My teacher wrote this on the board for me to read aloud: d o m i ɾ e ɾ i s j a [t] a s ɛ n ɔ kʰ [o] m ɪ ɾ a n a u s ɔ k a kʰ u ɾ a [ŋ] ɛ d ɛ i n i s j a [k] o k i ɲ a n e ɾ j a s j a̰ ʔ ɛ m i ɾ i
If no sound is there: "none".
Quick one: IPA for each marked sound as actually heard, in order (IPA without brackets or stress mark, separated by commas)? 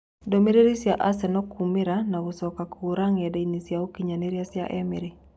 ʔ, u, ŋ, none